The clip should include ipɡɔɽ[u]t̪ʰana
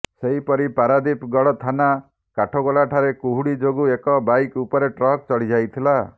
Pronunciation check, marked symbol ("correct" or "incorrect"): incorrect